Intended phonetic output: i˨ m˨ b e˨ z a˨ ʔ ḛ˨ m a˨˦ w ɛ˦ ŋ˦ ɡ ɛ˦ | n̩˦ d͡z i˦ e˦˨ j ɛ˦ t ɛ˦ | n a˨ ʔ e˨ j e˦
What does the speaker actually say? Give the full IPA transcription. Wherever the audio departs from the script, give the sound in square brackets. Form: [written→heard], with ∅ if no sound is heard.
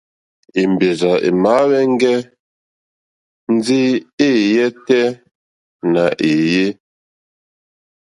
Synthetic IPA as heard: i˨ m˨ b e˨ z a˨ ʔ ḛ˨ m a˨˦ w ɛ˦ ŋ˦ ɡ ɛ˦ | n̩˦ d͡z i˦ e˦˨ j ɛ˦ t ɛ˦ | n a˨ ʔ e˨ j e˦

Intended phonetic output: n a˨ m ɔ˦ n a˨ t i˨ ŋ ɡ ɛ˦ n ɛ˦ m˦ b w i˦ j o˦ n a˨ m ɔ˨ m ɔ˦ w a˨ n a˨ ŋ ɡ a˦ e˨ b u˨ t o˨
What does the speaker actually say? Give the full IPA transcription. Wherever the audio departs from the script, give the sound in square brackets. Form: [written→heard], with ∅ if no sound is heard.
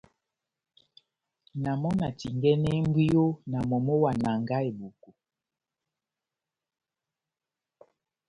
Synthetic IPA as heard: n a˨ m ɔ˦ n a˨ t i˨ ŋ ɡ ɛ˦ n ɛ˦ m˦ b w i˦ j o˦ n a˨ m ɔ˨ m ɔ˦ w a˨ n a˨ ŋ ɡ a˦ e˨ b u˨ [t→k] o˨

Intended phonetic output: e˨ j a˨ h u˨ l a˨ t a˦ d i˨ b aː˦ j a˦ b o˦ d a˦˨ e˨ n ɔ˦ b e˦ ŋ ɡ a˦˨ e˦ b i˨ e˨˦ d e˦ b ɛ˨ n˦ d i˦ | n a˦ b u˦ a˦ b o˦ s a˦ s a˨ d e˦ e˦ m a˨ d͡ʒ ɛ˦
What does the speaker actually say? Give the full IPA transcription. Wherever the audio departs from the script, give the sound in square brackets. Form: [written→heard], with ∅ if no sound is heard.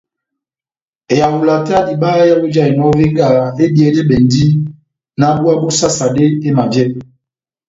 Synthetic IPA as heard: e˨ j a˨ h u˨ l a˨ t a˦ d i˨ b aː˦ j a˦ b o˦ [d→d͡ʒ] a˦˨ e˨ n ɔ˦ [b→v] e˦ ŋ ɡ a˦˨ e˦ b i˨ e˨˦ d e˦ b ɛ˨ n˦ d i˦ | n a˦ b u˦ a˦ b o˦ s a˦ s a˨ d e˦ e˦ m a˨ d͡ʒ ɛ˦

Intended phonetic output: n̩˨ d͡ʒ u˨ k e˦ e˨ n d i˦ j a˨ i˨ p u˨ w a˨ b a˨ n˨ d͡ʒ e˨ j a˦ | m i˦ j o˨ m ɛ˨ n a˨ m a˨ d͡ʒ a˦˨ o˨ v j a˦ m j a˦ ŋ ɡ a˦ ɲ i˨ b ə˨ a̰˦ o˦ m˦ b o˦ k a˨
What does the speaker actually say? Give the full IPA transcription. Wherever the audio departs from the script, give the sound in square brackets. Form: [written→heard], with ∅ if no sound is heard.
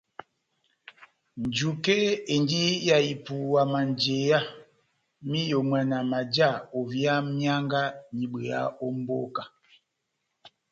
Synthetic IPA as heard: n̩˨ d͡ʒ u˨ k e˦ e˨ n d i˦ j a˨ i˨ p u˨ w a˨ [b→m] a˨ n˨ d͡ʒ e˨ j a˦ | m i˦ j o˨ m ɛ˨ n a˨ m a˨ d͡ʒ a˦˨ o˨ v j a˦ m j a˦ ŋ ɡ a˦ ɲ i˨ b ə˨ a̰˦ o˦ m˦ b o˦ k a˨

